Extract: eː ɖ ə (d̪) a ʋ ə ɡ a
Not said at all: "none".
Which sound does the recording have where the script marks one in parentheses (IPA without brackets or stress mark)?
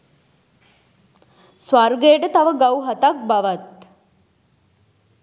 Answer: t̪